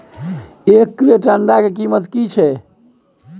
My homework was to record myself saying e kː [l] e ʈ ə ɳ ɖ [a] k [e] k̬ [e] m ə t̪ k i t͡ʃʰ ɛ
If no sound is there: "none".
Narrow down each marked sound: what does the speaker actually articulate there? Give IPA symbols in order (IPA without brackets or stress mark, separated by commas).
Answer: ɾ, a, e, i